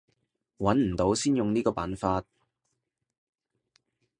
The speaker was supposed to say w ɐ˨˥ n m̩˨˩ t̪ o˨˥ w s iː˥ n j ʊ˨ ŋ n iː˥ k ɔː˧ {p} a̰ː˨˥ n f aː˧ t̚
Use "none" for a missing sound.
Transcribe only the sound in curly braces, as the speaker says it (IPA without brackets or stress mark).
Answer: p